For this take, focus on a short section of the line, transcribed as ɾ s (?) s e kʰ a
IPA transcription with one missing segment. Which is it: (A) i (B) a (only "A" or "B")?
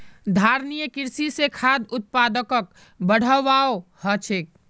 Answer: A